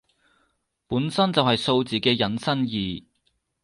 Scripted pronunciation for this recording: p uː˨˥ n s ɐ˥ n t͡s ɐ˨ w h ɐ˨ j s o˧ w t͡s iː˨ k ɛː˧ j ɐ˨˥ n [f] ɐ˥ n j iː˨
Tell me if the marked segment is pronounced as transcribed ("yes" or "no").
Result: no